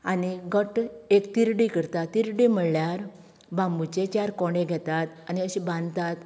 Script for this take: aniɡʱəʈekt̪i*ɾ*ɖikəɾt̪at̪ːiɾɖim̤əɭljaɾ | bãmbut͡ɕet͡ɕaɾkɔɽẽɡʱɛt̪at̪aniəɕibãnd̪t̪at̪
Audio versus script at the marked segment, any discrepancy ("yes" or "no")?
no